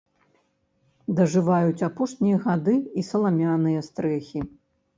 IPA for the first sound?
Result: d̪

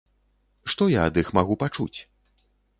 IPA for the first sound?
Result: ʂ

